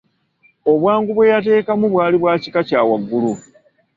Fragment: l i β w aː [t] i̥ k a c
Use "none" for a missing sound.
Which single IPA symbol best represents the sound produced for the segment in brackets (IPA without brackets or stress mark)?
c